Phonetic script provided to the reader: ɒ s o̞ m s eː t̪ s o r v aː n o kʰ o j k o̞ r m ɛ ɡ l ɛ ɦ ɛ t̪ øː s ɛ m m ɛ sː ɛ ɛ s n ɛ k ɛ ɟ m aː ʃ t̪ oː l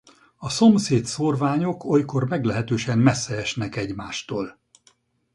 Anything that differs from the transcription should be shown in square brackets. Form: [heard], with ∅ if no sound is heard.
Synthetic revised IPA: ɒ s o̞ m s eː t̪ s o r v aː [ɲ] o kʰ o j k o̞ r m ɛ ɡ l ɛ ɦ ɛ t̪ øː [ʃ] ɛ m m ɛ sː ɛ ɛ [ʃ] n ɛ k ɛ ɟ m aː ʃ t̪ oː l